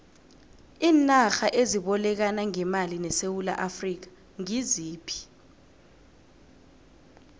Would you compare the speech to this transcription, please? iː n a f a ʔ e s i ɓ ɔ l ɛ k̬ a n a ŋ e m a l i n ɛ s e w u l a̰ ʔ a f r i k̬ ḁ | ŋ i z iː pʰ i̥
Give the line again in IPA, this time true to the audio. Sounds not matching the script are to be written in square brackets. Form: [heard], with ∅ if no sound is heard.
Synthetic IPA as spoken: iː n a [x] a ʔ e [z] i ɓ ɔ l ɛ k̬ a n a ŋ [ɛ] m a l i n ɛ s e w u l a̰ ʔ a f r i k̬ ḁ | ŋ i z iː pʰ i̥